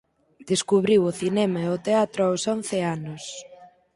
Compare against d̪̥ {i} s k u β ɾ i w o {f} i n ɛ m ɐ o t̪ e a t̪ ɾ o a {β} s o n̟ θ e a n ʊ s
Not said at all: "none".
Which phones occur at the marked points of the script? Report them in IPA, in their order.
e, θ, w

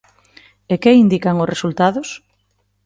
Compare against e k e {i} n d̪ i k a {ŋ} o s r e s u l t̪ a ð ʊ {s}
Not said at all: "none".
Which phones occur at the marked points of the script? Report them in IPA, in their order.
i, ŋ, s

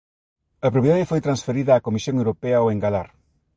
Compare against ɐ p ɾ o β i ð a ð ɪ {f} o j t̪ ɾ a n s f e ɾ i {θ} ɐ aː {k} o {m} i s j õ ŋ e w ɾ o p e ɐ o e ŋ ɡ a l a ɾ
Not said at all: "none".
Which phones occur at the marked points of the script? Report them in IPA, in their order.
f, ð, k, m

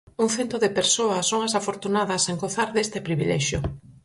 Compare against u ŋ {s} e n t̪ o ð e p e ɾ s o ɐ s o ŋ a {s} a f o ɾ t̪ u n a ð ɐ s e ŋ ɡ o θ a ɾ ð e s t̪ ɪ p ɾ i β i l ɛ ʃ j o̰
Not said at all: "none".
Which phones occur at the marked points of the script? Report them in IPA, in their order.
θ, s

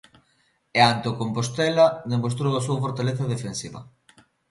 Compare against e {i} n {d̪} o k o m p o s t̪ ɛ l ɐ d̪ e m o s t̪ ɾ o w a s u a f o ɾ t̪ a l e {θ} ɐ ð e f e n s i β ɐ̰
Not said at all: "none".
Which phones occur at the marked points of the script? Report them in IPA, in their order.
a, t̪, θ

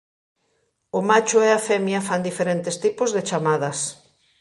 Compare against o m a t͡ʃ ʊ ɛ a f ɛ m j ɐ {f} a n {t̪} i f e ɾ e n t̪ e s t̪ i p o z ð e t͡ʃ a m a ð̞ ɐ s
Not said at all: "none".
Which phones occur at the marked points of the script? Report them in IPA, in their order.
f, d̪

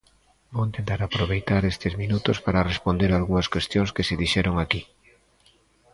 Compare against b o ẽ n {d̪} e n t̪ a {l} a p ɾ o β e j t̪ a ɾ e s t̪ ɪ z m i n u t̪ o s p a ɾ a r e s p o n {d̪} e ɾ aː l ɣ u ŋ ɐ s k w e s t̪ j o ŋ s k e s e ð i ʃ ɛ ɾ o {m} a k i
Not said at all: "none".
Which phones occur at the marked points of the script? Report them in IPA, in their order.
t̪, ɾ, d̪, ŋ

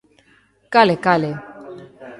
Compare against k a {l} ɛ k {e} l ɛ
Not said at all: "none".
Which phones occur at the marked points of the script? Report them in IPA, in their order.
l, a

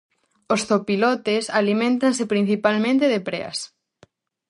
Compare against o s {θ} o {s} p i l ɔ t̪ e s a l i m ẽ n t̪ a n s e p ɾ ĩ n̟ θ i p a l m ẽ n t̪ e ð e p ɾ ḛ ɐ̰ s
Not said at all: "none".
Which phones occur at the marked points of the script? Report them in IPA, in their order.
θ, none

